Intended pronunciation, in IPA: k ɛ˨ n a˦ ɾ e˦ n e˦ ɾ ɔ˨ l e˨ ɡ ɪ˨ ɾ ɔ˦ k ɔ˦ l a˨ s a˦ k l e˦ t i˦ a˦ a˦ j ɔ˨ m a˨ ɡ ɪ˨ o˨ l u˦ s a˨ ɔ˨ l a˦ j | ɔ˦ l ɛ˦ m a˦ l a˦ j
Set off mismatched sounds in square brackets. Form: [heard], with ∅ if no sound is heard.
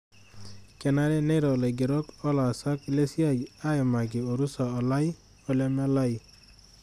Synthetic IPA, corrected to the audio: k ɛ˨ n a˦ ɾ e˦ n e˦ ɾ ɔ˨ l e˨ ɡ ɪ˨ ɾ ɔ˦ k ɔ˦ l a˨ s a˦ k l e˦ [s] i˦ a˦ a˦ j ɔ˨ m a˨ ɡ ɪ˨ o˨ [ɾ] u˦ s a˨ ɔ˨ l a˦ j | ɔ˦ l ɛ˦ m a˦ l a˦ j